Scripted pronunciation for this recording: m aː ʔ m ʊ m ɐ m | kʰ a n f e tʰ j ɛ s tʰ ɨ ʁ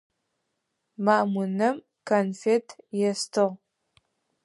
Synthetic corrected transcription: m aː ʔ m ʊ n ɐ m | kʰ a n f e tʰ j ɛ s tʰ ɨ ʁ

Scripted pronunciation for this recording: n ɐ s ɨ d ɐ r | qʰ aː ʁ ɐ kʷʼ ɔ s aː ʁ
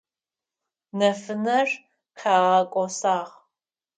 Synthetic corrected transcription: n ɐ f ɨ n ɐ r | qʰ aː ʁ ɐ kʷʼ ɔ s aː ʁ

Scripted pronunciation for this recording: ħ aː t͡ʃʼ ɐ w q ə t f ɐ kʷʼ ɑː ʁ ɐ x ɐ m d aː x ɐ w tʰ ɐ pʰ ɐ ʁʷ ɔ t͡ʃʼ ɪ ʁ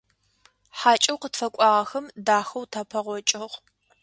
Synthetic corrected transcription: ħ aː t͡ʃʼ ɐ w q ə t f ɐ kʷʼ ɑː ʁ ɐ x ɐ m d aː x ɐ w tʰ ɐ pʰ ɐ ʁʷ ɔ t͡ʃʼ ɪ ʁ

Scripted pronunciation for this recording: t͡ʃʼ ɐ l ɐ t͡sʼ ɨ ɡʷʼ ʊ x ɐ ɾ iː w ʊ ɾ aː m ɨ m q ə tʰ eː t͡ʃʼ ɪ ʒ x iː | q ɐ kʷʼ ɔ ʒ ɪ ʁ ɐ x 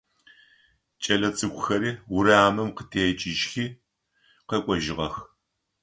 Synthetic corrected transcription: t͡ʃʼ ɐ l ɐ t͡sʼ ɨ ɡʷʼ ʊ x ɐ ɾ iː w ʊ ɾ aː m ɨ m q ə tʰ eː t͡ʃʼ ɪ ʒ x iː | q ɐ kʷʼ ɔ ʒ ɪ ʁ ɐ x

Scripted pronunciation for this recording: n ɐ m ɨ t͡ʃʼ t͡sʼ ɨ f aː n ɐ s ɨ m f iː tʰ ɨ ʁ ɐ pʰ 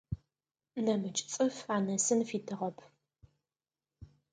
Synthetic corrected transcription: n ɐ m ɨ t͡ʃʼ t͡sʼ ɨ f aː n ɐ s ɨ n f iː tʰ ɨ ʁ ɐ pʰ

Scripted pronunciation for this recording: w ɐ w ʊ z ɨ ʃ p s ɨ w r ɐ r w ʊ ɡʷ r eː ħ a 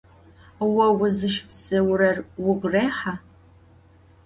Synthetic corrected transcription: w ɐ w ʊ z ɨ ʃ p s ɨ w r ɐ r w ʊ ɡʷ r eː ħ a

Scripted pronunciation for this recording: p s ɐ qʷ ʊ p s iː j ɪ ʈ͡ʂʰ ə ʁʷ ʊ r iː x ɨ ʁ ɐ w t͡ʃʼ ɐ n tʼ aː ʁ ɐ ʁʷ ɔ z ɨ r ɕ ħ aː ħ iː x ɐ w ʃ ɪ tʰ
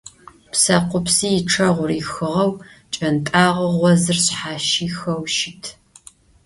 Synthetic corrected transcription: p s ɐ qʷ ʊ p s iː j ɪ ʈ͡ʂʰ ɐ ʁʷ ʊ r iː x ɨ ʁ ɐ w t͡ʃʼ ɐ n tʼ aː ʁ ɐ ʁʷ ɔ z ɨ r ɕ ħ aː ʃ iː x ɐ w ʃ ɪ tʰ

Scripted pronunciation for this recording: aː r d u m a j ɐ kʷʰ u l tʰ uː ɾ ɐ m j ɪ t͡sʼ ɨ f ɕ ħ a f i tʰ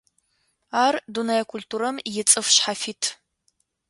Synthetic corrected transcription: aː r d u n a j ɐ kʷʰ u l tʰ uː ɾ ɐ m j ɪ t͡sʼ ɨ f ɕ ħ a f i tʰ

